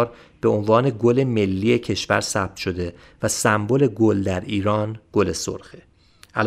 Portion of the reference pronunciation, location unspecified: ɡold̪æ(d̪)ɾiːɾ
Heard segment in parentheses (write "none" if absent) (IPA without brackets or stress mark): none